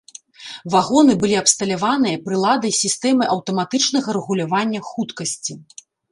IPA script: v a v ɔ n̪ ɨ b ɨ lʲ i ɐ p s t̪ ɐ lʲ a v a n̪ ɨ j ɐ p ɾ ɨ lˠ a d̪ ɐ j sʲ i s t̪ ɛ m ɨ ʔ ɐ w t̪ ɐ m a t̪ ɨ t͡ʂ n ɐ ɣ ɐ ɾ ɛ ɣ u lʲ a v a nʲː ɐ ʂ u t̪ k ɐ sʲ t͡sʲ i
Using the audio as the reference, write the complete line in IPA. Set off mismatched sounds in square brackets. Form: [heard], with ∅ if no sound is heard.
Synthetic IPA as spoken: v a [ɣ] ɔ n̪ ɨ b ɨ lʲ i ɐ p s t̪ ɐ lʲ a v a n̪ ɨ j ɐ p ɾ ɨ lˠ a d̪ ɐ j sʲ i s t̪ ɛ m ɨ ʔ ɐ w t̪ ɐ m a t̪ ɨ t͡ʂ n ɐ ɣ ɐ ɾ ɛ ɣ u lʲ a v a nʲː ɐ [x] u t̪ k ɐ sʲ t͡sʲ i